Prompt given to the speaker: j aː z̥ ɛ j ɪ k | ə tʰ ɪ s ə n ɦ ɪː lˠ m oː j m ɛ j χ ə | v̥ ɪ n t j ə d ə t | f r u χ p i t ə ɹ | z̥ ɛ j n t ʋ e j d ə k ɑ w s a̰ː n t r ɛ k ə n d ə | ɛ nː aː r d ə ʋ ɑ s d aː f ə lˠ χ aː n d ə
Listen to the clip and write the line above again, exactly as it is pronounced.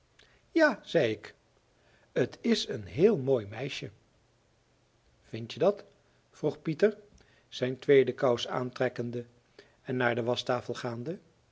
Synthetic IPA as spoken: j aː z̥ ɛ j ɪ k | ə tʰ ɪ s ə n ɦ ɪː lˠ m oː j m ɛ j ʃ ə | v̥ ɪ n t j ə d ɑ t | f r u χ p i t ə ɹ | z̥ ɛ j n t ʋ e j d ə k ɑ w s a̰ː n t r ɛ k ə n d ə | ɛ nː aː ɹ d ə ʋ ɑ s t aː f ə lˠ χ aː n d ə

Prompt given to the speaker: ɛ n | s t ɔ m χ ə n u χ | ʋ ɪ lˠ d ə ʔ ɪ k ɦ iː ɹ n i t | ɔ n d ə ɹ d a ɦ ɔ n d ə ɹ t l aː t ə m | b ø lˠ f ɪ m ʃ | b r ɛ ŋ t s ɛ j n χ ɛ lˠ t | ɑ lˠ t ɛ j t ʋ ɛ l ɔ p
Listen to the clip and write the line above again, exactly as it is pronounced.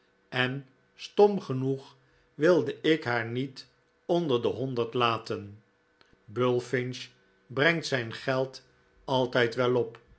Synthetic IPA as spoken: ɛ n | s t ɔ m χ ə n u χ | ʋ ɪ lˠ d ə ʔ ɪ k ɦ aː ɹ n i t | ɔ n d ə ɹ d ə ɦ ɔ n d ə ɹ t l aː t ə n | b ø lˠ f ɪ n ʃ | b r ɛ ŋ t s ɛ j n χ ɛ lˠ t | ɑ lˠ t ɛ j t ʋ ɛ l ɔ p

